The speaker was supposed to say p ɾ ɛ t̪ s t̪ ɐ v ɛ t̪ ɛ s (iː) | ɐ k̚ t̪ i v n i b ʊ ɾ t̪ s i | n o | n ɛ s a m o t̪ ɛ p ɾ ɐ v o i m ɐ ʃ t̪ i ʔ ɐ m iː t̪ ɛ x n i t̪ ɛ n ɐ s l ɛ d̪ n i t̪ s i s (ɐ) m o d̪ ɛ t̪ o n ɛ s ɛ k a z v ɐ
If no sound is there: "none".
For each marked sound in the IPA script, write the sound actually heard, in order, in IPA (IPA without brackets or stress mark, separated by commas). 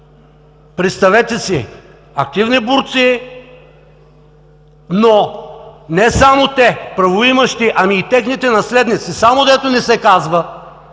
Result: i, a